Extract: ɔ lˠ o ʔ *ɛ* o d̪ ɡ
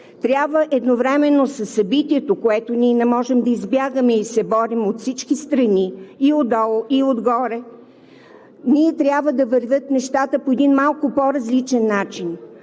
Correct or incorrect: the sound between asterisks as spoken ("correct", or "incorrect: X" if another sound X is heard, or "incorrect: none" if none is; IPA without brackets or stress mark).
incorrect: i